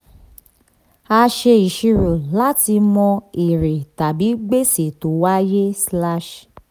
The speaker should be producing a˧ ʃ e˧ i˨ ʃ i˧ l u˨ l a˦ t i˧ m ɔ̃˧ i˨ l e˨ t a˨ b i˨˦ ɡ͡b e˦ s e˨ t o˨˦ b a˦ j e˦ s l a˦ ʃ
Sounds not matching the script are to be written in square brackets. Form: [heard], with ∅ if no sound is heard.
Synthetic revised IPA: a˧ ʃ e˧ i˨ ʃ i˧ [ɾ] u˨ l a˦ t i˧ m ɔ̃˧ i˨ [ɾ] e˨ t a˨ b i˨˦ ɡ͡b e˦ s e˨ t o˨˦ [w] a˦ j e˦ s l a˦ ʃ

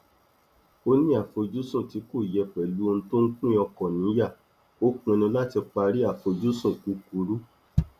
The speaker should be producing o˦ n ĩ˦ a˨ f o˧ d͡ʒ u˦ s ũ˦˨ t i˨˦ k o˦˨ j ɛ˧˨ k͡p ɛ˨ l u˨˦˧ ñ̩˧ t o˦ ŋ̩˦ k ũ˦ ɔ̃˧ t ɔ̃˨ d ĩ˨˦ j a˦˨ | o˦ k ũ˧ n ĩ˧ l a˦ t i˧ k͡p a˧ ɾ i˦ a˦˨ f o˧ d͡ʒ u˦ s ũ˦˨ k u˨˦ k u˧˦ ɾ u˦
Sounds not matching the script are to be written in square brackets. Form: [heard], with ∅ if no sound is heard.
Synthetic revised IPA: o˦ n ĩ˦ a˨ f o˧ d͡ʒ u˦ s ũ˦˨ t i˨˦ k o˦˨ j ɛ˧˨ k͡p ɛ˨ l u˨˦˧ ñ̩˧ t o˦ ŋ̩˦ k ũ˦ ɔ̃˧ [k] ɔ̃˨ [n] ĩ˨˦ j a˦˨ | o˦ k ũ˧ n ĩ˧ l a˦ t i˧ k͡p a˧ ɾ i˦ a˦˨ f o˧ d͡ʒ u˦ s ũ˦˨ k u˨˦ k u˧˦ ɾ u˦

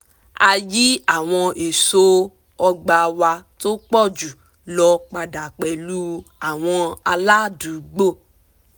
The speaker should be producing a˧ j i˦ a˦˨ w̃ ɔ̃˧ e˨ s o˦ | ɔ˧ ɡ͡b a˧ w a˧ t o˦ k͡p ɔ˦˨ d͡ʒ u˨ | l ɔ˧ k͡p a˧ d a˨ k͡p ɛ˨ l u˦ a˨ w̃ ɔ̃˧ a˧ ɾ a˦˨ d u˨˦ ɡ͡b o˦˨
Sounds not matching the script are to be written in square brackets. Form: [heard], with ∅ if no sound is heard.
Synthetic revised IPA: a˧ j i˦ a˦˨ w̃ ɔ̃˧ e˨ s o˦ | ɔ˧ ɡ͡b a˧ w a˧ t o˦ k͡p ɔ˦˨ d͡ʒ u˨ | l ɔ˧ k͡p a˧ d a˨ k͡p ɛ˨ l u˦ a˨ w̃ ɔ̃˧ a˧ [l] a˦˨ d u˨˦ ɡ͡b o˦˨

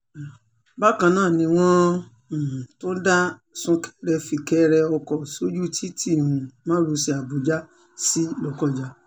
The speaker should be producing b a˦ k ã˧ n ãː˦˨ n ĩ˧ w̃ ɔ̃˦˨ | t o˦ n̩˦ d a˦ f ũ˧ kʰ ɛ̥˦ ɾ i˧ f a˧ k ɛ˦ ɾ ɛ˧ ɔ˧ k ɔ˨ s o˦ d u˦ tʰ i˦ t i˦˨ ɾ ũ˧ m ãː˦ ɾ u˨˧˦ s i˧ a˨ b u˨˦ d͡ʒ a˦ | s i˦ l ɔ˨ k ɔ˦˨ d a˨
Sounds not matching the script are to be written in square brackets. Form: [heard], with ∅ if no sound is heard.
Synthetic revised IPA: b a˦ k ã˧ n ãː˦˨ n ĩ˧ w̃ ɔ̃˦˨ | t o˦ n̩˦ d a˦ [s] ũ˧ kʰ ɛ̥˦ ɾ [ɛ˧] f [i˧] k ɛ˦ ɾ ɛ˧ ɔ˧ k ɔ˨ s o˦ [d͡ʒ] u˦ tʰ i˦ t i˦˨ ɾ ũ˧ m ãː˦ ɾ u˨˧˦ s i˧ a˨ b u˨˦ d͡ʒ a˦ | s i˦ l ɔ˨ k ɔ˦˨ [d͡ʒ] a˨

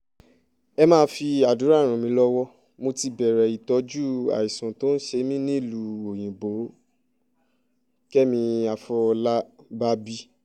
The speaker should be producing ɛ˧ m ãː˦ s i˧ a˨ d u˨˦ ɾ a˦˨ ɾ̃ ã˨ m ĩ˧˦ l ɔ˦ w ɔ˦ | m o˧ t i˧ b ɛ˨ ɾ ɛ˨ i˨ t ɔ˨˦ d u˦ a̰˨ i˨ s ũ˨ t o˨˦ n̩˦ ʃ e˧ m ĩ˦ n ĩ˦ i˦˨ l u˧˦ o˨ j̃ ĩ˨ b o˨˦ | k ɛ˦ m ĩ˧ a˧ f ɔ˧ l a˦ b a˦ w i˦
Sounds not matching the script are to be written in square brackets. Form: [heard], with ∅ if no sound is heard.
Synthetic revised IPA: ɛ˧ m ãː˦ [f] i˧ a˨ d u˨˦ ɾ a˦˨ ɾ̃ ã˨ m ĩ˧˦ l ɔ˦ w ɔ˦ | m o˧ t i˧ b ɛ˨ ɾ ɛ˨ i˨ t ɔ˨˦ [d͡ʒ] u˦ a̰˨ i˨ s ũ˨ t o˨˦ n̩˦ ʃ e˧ m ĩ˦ n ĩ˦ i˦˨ l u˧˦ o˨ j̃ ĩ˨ b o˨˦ | k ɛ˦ m ĩ˧ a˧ f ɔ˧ l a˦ b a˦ [b] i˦

